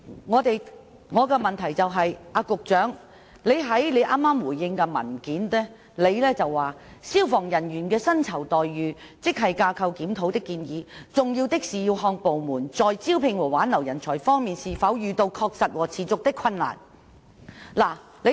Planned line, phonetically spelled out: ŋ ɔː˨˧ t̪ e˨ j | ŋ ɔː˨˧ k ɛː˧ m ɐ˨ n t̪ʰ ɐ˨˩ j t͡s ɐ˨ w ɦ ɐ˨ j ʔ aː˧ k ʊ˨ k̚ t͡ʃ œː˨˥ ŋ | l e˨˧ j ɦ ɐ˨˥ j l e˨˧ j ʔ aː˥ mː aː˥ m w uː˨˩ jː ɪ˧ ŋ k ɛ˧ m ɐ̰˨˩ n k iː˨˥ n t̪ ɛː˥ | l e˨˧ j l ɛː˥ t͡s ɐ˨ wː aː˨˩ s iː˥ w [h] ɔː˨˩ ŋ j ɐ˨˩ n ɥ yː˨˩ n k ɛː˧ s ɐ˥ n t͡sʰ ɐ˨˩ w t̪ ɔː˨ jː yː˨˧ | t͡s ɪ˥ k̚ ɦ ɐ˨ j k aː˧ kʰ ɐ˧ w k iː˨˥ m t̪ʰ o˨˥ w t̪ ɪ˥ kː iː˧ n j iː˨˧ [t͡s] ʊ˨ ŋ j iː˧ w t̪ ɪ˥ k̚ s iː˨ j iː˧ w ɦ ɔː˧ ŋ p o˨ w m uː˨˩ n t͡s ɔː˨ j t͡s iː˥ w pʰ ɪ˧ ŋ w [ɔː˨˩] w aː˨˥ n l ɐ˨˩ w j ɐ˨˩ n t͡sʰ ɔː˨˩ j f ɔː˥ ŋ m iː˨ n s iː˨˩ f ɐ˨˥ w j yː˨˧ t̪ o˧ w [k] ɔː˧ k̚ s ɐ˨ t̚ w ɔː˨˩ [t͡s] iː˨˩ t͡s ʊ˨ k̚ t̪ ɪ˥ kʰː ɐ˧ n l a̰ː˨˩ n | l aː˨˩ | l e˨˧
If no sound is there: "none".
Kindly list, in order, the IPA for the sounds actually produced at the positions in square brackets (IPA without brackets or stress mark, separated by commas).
f, t͡s, ɔː˨˩, kʰ, t͡sʰ